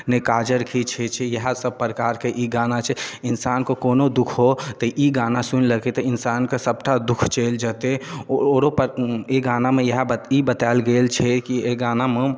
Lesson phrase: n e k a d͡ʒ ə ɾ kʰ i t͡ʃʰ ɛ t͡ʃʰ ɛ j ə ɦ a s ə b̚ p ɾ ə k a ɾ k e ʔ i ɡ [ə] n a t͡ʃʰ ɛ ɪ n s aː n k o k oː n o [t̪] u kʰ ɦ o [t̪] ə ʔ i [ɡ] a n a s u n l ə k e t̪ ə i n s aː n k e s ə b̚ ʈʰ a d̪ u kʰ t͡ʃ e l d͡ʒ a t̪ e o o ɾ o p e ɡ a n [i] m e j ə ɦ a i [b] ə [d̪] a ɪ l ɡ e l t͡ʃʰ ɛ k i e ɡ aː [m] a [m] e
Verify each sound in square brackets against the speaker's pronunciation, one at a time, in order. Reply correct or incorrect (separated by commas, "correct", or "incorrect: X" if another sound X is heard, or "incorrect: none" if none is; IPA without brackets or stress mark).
incorrect: a, incorrect: d̪, correct, correct, incorrect: a, correct, incorrect: t̪, incorrect: n, correct